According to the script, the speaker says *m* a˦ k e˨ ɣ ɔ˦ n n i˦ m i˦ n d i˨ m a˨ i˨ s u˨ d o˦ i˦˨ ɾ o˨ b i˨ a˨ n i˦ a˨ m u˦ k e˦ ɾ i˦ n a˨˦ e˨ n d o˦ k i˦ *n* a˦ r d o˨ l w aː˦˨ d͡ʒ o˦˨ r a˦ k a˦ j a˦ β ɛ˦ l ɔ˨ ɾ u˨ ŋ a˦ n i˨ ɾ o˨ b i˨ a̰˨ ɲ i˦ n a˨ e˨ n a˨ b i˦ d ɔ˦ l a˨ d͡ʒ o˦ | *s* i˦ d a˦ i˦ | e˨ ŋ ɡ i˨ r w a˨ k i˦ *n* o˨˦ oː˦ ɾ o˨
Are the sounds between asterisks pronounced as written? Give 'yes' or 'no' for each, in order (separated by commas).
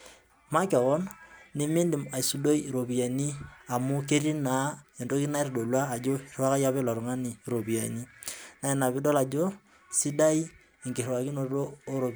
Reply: yes, yes, yes, yes